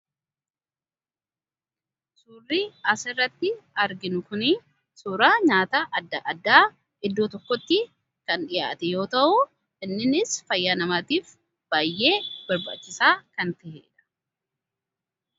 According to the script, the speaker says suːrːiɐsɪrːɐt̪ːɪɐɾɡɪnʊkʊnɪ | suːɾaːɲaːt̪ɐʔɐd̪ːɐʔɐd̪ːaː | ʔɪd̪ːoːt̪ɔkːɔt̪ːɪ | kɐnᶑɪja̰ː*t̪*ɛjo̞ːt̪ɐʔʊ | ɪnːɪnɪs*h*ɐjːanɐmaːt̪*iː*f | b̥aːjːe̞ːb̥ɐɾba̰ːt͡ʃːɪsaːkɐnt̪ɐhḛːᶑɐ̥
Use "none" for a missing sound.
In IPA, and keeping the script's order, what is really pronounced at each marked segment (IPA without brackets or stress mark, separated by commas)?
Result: t̪, f, iː